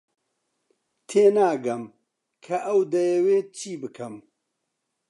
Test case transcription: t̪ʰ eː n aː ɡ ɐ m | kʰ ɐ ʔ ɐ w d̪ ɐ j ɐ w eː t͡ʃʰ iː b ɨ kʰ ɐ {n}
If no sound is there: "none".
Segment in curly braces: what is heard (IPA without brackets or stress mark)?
m